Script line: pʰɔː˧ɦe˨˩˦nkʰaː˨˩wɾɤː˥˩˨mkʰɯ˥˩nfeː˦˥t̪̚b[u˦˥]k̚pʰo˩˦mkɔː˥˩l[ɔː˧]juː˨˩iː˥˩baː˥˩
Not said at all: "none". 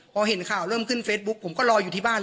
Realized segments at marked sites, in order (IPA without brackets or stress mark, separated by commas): u˦˥, ɔː˧